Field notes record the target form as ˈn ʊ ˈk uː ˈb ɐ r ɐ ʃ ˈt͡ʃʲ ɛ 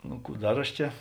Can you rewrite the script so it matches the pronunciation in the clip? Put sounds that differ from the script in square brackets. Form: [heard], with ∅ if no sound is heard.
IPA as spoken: ˈn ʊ ˈk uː [ˈd] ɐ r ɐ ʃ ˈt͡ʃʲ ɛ